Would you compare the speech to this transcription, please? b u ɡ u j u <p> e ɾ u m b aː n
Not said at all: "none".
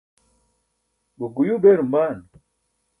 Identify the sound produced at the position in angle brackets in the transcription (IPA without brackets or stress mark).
b